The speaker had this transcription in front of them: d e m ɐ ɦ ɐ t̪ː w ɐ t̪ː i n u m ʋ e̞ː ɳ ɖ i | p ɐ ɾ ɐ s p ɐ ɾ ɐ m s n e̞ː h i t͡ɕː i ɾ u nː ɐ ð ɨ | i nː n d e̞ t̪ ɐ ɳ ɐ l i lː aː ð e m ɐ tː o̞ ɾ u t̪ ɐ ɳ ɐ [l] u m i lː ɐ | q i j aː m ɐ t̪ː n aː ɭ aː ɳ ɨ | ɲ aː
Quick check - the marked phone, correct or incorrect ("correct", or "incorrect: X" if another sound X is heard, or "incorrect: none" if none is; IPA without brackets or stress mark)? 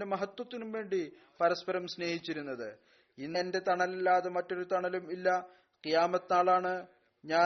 correct